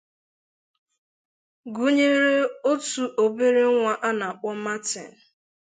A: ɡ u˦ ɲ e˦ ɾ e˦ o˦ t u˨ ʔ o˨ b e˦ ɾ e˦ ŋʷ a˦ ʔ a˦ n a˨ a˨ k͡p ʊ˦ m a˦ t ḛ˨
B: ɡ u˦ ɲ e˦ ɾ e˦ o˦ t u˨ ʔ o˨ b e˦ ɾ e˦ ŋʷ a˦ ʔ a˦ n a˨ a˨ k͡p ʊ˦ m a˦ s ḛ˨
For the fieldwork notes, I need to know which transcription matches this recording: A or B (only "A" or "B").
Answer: A